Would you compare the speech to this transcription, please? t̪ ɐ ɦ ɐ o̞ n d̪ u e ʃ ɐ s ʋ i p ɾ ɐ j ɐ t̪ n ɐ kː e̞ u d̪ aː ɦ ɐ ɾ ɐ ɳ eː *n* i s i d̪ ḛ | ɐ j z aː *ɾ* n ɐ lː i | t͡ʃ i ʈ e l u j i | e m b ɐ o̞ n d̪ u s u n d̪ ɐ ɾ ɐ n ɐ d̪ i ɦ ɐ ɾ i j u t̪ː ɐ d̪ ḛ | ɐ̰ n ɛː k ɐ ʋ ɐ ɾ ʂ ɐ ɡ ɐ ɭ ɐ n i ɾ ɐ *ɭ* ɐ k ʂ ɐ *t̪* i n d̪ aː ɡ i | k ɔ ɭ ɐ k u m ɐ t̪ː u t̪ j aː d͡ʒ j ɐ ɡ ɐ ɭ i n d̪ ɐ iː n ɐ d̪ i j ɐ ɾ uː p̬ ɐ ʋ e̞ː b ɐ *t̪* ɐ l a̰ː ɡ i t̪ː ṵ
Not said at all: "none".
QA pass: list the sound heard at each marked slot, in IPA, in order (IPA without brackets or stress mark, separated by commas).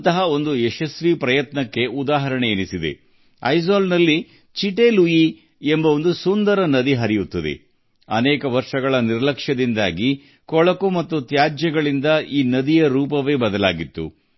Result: n, l, l, d̪, d̪